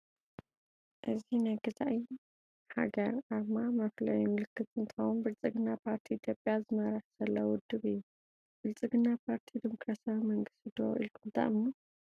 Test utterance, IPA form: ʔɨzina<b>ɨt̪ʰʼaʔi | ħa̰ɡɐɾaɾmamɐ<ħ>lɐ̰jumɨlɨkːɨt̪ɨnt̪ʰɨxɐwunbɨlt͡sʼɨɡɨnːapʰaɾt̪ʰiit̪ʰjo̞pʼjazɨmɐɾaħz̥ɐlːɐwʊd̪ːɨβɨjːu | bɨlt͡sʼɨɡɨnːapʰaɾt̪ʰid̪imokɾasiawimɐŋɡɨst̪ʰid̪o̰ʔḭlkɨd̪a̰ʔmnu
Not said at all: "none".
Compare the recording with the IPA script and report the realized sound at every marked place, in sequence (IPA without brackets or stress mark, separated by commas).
ɡ, f